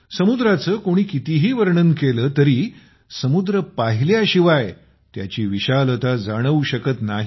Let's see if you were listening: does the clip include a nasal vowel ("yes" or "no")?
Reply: no